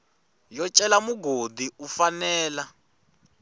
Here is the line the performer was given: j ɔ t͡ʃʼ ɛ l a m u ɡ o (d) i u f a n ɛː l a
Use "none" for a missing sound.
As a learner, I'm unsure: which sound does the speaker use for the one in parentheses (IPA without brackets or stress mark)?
d